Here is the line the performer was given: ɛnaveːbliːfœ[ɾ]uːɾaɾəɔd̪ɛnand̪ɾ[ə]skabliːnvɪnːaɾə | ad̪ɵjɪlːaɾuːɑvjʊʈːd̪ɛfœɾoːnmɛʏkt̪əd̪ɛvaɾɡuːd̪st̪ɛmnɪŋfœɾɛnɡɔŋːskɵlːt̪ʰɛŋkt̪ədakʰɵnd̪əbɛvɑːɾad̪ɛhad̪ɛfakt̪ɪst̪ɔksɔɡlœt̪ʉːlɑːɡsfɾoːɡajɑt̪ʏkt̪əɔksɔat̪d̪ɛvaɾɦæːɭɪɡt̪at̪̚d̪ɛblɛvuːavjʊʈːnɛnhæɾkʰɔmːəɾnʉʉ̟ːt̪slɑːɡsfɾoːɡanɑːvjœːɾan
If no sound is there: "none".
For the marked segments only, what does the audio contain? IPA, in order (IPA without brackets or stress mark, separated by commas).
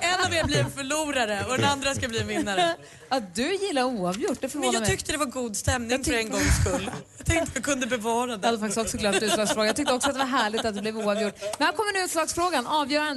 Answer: ɭ, a